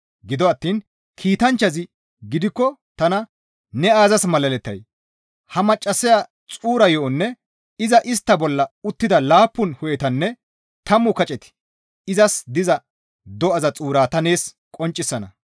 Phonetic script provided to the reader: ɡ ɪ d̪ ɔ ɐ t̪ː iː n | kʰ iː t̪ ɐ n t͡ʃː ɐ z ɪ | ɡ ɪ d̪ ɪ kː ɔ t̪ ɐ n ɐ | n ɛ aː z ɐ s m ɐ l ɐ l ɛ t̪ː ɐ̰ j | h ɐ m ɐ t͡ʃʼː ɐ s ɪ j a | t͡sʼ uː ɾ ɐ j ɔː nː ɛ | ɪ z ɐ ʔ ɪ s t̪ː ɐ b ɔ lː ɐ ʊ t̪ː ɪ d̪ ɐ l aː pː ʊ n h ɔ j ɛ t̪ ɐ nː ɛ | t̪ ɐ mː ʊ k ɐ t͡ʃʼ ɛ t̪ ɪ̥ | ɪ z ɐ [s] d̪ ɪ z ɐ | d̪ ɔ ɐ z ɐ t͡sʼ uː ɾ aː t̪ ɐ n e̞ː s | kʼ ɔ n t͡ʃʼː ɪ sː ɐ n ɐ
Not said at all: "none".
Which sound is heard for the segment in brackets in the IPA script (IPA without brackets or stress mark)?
s